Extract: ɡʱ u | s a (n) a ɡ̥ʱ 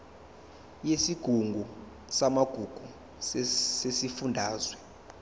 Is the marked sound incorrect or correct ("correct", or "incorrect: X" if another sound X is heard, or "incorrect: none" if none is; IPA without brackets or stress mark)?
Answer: incorrect: m